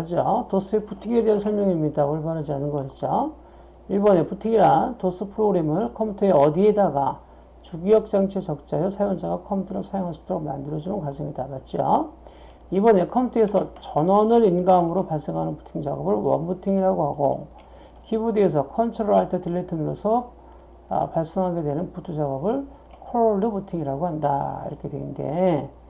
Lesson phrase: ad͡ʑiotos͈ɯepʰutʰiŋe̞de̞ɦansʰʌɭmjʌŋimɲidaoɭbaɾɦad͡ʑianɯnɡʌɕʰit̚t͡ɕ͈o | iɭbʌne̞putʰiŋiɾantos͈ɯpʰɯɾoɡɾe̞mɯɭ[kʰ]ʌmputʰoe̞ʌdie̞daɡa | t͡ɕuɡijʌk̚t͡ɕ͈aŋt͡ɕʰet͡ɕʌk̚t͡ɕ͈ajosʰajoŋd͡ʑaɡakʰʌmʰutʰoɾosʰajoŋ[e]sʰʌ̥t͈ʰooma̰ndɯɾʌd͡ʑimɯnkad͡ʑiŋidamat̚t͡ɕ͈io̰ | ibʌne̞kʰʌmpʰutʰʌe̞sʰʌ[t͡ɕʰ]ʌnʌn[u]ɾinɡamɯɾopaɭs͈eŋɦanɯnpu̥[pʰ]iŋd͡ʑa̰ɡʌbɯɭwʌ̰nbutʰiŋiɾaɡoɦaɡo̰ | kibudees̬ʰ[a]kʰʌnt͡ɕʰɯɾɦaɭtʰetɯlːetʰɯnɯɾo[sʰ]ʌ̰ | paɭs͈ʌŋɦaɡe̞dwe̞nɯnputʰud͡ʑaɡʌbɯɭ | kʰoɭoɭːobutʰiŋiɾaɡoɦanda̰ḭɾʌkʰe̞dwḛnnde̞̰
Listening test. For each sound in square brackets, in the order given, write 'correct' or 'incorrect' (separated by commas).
correct, incorrect, incorrect, incorrect, incorrect, incorrect, correct